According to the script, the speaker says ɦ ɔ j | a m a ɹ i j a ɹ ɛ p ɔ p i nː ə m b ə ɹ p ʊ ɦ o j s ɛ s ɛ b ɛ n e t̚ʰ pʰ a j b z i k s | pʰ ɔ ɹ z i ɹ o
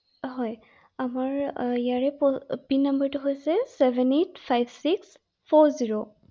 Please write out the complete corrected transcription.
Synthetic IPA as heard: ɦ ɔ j | a m a ɹ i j a ɹ ɛ p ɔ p i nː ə m b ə ɹ t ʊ ɦ o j s ɛ s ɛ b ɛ n e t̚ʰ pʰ a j b s i k s | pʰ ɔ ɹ z i ɹ o